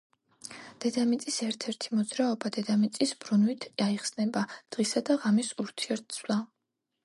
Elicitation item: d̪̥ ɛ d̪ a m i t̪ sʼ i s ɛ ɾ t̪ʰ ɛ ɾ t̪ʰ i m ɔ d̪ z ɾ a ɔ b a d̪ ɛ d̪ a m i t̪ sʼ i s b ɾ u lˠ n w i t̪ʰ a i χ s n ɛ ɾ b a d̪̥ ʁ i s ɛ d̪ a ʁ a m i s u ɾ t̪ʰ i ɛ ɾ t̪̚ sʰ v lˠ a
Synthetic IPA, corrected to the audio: d̪̥ ɛ d̪ a m i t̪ sʼ i s ɛ ɾ t̪ʰ ɛ ɾ t̪ʰ i m ɔ d̪ z ɾ a ɔ b a d̪ ɛ d̪ a m i t̪ sʼ i s b ɾ u n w i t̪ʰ a i χ s n ɛ b a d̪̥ ʁ i s a d̪ a ʁ a m i s u ɾ t̪ʰ i ɛ ɾ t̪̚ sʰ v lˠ a